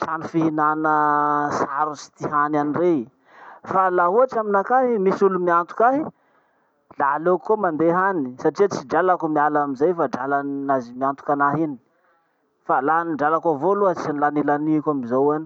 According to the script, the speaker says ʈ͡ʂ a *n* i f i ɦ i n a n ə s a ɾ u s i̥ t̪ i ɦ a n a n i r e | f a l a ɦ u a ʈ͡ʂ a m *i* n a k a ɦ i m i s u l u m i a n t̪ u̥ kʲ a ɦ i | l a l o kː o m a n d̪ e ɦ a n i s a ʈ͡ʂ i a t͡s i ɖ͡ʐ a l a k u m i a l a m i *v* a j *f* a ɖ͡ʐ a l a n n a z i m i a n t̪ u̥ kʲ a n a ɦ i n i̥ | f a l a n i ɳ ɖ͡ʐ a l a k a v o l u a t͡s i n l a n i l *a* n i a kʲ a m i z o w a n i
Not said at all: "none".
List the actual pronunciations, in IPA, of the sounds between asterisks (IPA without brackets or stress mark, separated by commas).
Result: n, i, z, f, a